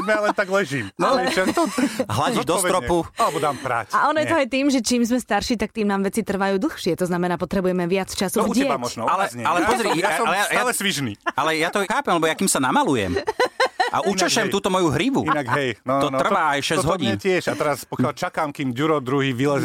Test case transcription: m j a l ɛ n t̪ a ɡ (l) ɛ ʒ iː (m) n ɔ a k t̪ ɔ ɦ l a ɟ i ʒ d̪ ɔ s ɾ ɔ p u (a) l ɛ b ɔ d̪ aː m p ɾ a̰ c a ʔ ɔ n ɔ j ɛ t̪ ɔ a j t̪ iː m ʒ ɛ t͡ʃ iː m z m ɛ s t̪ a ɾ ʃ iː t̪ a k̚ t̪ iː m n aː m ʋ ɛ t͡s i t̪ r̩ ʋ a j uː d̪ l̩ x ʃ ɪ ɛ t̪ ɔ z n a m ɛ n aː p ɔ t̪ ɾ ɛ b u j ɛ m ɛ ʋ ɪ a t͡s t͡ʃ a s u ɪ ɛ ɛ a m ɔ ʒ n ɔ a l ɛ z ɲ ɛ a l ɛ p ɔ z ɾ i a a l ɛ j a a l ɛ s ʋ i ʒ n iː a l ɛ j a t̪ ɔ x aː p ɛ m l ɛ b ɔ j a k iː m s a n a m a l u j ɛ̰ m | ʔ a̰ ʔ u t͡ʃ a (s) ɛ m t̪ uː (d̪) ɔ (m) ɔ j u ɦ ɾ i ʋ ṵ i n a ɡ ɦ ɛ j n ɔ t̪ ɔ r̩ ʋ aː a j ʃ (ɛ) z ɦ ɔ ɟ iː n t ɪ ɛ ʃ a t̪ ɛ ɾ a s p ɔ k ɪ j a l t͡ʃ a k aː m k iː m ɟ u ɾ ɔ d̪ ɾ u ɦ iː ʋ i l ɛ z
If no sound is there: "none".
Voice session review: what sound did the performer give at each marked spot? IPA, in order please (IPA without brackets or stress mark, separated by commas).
l, m, a, ʃ, t̪, m, ɛ